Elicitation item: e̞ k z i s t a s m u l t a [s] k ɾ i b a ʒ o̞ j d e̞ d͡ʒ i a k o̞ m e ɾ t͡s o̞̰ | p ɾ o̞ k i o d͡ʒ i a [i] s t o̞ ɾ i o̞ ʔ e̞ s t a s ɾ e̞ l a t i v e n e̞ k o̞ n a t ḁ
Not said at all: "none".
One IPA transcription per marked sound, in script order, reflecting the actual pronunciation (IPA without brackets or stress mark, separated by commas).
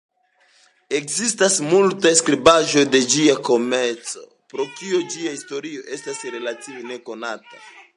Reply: s, i